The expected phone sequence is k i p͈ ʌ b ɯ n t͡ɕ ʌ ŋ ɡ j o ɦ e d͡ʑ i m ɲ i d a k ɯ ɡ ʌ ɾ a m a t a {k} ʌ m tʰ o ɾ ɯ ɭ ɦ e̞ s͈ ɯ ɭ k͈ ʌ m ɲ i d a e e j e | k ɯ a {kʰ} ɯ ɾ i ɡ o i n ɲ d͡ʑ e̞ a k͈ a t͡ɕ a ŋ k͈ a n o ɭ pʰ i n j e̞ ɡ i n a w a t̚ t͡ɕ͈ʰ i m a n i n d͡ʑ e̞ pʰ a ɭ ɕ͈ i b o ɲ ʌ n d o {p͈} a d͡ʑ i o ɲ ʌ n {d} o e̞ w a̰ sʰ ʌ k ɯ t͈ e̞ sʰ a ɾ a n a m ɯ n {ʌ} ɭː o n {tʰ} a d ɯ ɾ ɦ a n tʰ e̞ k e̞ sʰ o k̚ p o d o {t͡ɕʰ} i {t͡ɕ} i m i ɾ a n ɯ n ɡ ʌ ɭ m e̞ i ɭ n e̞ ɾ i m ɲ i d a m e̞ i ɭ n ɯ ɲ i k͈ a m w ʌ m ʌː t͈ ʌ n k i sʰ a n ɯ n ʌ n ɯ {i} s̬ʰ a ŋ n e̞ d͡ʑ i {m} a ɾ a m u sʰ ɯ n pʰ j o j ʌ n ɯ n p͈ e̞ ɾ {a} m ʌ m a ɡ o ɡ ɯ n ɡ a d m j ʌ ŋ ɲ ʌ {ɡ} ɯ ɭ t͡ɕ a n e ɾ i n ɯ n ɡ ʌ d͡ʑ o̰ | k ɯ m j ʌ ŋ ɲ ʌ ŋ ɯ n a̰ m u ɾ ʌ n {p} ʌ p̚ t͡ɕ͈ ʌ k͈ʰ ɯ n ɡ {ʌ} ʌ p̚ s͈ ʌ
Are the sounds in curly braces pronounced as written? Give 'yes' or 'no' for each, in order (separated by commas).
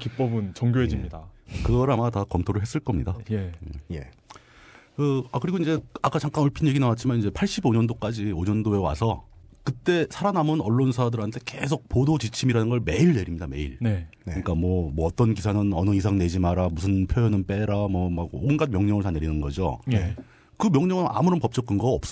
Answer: yes, no, no, yes, yes, no, no, no, yes, yes, yes, no, yes, yes